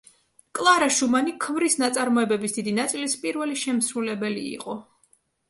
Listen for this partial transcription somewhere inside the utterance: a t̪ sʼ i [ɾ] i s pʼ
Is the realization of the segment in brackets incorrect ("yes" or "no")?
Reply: yes